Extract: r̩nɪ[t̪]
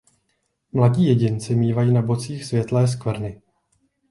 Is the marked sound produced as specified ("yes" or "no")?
no